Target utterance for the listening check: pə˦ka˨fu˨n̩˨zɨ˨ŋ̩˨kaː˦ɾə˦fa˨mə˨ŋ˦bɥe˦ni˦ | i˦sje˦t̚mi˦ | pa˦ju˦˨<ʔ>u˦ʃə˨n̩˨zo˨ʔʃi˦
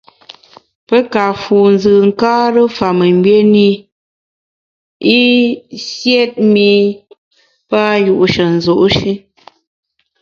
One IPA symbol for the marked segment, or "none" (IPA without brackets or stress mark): ʔ